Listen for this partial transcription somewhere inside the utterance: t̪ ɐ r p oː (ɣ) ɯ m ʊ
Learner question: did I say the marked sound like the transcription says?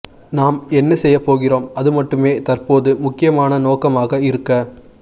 no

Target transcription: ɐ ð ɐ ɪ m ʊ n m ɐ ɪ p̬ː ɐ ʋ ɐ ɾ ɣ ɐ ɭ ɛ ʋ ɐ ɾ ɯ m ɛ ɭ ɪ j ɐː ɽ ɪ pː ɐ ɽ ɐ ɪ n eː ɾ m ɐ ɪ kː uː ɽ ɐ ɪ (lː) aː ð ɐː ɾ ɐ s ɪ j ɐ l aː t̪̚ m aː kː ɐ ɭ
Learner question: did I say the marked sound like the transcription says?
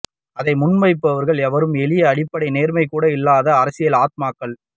yes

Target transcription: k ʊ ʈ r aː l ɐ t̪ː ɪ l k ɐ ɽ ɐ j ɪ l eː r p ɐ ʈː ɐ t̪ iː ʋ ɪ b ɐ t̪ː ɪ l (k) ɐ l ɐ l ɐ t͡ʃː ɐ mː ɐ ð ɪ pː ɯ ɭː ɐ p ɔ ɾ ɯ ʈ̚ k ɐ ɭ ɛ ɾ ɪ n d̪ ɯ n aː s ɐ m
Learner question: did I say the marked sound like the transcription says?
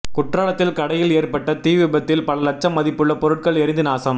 no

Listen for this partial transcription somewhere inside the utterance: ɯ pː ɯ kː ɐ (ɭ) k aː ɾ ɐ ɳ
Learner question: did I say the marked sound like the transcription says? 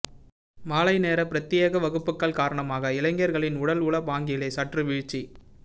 yes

